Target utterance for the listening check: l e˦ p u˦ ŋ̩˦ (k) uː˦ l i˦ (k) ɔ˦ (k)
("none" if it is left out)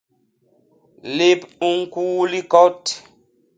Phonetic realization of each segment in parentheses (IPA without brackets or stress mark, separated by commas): k, k, t